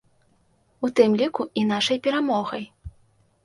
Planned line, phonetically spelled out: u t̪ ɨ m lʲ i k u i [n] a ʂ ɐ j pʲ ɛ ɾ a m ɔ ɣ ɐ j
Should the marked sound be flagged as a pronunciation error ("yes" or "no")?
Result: no